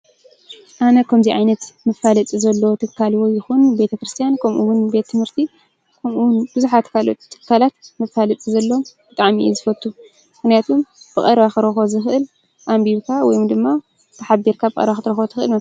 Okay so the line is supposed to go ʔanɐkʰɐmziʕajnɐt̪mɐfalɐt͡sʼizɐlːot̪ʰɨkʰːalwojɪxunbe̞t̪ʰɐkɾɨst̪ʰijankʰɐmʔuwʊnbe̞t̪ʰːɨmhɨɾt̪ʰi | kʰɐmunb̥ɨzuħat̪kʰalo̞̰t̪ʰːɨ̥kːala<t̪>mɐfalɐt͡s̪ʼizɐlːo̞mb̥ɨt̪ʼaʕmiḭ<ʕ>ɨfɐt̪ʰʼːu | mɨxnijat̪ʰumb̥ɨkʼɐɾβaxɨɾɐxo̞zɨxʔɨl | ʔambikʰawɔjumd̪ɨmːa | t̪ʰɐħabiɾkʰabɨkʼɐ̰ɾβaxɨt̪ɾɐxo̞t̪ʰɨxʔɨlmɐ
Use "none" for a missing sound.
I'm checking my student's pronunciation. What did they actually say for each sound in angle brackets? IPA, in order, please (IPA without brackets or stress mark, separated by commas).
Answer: t̪, z